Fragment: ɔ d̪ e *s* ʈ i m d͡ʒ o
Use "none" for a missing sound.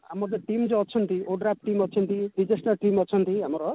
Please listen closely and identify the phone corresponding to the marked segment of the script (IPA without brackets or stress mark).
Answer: none